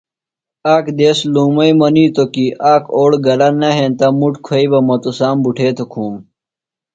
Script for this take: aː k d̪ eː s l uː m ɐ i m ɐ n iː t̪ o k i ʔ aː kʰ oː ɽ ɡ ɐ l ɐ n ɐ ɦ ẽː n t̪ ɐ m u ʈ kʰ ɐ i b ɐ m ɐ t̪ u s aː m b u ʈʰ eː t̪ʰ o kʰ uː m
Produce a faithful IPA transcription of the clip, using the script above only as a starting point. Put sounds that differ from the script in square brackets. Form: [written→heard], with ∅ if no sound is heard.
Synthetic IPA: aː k d̪ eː s l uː m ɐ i m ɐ n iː t̪ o k i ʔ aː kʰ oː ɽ ɡ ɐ l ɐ n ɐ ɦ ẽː n t̪ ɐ m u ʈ kʰ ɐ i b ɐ m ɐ t̪ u s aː m b u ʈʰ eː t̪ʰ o kʰ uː m

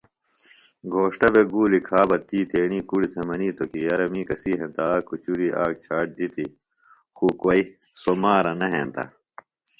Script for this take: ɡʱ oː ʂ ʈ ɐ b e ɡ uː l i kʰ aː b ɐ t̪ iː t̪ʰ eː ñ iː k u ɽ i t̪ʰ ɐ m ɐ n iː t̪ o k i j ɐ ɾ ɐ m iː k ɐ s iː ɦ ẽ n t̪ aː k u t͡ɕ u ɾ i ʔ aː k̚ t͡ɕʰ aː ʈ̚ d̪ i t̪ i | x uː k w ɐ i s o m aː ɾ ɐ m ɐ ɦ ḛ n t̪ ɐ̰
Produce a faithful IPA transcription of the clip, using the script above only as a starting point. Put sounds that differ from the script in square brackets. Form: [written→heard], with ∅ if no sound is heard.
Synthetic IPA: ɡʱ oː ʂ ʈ ɐ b e ɡ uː l i kʰ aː b ɐ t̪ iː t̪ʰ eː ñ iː k u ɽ i t̪ʰ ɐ m ɐ n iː t̪ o k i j ɐ ɾ ɐ m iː k ɐ s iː ɦ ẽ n t̪ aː k u t͡ɕ u ɾ i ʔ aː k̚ t͡ɕʰ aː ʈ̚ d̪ i t̪ i | x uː k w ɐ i s o m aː ɾ ɐ [m→n] ɐ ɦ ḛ n t̪ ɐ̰

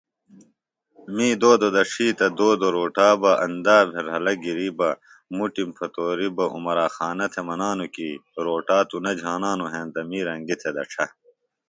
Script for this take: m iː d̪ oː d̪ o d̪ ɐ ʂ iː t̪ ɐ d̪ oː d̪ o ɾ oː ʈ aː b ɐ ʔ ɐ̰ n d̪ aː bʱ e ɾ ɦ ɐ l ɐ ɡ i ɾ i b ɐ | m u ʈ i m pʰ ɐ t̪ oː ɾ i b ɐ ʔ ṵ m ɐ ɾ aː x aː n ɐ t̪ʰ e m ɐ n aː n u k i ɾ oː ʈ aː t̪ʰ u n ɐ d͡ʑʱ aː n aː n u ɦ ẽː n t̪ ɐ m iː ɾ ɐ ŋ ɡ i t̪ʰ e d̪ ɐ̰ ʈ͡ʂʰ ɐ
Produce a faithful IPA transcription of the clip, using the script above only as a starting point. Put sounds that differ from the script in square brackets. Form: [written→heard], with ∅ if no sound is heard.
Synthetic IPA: m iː d̪ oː d̪ o d̪ ɐ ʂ iː t̪ ɐ d̪ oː d̪ o ɾ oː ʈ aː b ɐ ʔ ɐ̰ n d̪ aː bʱ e ɾ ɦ ɐ l ɐ ɡ i ɾ i b ɐ | m u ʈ i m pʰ ɐ t̪ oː ɾ i b ɐ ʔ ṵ m ɐ ɾ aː x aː n ɐ t̪ʰ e m ɐ n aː n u k i ɾ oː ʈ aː [t̪ʰ→t̪] u n ɐ d͡ʑʱ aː n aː n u ɦ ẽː n t̪ ɐ m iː ɾ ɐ ŋ ɡ i t̪ʰ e d̪ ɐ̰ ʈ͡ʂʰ ɐ

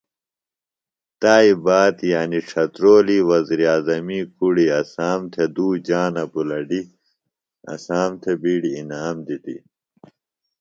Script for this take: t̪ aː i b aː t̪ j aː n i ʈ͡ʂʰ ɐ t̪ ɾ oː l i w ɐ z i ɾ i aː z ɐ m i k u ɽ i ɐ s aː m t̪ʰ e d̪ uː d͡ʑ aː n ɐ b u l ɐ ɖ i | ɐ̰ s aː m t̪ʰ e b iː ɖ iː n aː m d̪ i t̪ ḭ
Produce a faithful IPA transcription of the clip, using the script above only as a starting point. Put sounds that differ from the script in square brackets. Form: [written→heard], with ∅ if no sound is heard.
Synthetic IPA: t̪ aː i b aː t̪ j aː n i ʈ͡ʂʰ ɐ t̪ ɾ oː l i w ɐ z i ɾ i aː z ɐ m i k u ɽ i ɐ s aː m t̪ʰ e d̪ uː d͡ʑ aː n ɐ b u l ɐ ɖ i | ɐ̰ s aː m t̪ʰ e b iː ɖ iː n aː m d̪ i t̪ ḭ

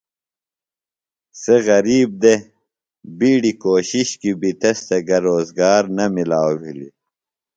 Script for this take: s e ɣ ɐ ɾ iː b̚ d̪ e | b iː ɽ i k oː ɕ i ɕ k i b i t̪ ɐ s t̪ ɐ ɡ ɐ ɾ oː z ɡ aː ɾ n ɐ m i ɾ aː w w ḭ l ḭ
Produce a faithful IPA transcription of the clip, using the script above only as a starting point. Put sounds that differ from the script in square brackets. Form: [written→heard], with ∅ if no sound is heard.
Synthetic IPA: s e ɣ ɐ ɾ iː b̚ d̪ e | b iː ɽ i k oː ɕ i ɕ k i b i t̪ ɐ s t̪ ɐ ɡ ɐ ɾ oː z ɡ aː ɾ n ɐ m i [ɾ→l] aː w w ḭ l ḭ

